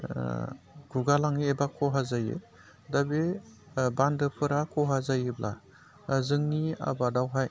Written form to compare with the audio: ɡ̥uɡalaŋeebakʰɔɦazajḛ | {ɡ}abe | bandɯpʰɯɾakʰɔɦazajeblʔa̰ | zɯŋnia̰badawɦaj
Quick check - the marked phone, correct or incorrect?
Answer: incorrect